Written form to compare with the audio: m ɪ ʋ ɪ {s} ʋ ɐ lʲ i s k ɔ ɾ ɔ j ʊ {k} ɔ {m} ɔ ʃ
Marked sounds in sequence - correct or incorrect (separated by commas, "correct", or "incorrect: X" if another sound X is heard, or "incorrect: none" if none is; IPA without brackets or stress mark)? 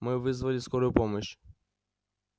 incorrect: z, incorrect: p, correct